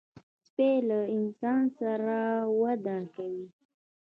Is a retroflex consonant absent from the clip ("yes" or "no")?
yes